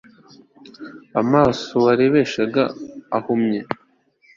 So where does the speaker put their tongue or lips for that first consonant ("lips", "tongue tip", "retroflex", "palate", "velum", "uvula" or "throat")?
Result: lips